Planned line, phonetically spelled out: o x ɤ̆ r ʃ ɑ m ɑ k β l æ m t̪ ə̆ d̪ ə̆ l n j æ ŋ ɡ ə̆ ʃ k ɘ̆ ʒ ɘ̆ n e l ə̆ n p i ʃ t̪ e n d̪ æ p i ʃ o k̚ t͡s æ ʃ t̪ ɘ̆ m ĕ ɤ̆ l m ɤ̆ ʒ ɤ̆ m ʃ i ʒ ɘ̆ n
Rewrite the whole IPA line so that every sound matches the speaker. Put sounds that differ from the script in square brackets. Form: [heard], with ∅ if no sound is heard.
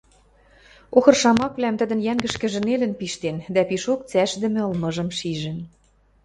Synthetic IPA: o x ɤ̆ r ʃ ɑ m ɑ k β l æ m t̪ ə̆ d̪ ə̆ [∅] n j æ ŋ ɡ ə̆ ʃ k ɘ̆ ʒ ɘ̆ n e l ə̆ n p i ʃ t̪ e n d̪ æ p i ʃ o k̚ t͡s æ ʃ [d̪] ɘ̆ m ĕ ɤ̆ l m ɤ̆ ʒ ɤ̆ m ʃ i ʒ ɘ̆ n